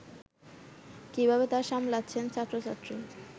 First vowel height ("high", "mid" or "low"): high